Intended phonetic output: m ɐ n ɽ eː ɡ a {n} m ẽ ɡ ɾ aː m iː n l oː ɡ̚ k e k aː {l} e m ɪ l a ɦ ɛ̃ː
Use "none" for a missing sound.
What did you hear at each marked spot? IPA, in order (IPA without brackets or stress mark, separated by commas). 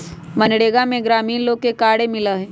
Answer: none, ɽ